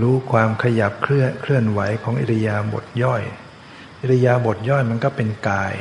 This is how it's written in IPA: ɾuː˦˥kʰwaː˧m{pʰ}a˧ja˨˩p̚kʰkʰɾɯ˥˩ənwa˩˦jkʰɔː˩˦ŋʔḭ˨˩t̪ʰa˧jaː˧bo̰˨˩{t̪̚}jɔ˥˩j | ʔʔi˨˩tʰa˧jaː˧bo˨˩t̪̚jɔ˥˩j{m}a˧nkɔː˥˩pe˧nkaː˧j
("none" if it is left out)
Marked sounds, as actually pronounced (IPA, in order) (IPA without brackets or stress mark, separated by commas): kʰ, t̪̚, m